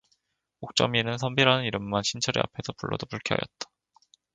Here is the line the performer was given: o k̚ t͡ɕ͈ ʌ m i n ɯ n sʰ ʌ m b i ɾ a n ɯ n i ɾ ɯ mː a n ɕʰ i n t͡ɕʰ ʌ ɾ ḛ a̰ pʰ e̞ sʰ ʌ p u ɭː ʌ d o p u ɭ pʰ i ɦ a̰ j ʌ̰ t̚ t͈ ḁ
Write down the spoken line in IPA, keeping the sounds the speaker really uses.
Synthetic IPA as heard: o k̚ t͡ɕ͈ ʌ m i n ɯ n sʰ ʌ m b i ɾ a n ɯ n i ɾ ɯ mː a n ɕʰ i n t͡ɕʰ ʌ ɾ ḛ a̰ pʰ e̞ sʰ ʌ p u ɭː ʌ d o p u ɭ kʰ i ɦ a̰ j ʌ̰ t̚ t͈ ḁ